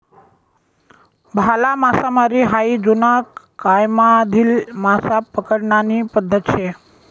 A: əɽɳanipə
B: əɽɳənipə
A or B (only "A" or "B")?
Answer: A